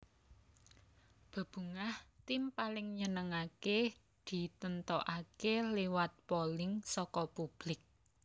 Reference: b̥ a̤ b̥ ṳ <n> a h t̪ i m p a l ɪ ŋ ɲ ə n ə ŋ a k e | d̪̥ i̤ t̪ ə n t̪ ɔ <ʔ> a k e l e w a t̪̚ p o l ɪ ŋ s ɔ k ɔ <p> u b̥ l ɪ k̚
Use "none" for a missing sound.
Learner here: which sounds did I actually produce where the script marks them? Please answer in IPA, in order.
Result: ŋ, ʔ, p

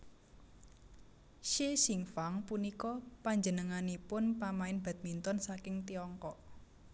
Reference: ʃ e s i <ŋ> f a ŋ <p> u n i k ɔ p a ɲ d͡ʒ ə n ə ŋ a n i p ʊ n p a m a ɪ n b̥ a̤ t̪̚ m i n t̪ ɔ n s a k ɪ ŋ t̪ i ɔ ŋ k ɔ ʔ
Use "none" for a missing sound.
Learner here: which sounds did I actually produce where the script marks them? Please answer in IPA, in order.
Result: ŋ, p

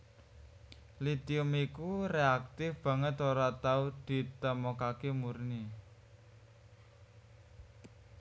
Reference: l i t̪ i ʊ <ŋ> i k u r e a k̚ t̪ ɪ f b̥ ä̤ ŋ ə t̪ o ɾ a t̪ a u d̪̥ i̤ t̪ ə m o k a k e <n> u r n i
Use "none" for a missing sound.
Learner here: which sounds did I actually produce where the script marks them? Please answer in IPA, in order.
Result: m, m

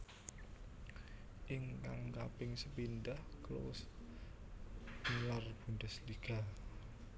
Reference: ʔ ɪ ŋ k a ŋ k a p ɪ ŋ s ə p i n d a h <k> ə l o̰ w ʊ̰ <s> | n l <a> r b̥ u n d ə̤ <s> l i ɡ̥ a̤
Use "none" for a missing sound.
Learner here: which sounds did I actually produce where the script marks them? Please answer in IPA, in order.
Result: k, s, a, s

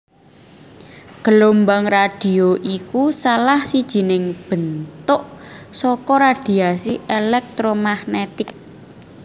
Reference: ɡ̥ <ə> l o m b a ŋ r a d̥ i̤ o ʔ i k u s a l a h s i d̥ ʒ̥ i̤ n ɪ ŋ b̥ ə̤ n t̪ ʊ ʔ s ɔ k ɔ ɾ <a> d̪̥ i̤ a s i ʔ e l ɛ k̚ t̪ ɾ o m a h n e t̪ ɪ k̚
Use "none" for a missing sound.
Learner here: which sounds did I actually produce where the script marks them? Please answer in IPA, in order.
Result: ə, a

